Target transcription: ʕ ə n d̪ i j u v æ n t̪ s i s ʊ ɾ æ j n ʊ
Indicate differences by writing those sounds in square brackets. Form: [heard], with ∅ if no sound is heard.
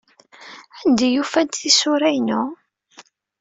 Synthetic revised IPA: ʕ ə n d̪ i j u [f] æ n t̪ [θ] i s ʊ ɾ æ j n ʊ